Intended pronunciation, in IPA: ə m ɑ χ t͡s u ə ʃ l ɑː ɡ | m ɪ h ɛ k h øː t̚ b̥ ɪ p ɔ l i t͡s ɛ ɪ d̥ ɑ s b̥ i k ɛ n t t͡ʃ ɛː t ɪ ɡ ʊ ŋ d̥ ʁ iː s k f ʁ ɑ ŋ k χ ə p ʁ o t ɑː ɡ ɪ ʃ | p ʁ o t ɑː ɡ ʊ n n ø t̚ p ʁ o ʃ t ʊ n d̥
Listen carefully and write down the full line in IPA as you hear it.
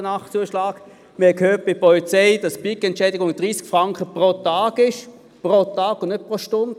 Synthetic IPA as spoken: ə n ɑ χ t͡s u ə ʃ l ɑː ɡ | m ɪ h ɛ k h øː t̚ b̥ ɪ p ɔ l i t͡s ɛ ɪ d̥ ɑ s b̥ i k ɛ n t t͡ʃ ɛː d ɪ ɡ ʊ ŋ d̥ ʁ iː s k f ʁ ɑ ŋ k χ ə p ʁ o t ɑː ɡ ɪ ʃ | p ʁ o t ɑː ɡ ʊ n n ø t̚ p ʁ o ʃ t ʊ n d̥